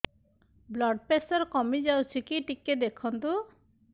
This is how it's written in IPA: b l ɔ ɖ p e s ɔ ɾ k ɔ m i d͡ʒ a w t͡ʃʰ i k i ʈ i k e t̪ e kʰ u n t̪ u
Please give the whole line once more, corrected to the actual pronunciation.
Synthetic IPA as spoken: b l ɔ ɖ p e s ɔ ɾ k ɔ m i d͡ʒ a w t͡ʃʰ i k i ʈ i k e d̪ e kʰ ɔ n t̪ u